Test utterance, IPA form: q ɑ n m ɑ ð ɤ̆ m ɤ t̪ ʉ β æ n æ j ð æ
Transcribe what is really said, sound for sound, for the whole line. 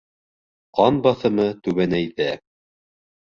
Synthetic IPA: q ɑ n b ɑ θ ɤ̆ m ɤ t̪ ʉ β æ n æ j ð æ